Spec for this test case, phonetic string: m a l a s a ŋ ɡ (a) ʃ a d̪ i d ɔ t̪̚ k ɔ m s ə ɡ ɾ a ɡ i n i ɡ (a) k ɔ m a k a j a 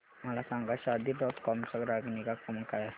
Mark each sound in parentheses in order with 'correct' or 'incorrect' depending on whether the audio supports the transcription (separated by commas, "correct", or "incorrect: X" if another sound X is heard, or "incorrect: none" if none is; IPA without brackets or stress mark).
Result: correct, correct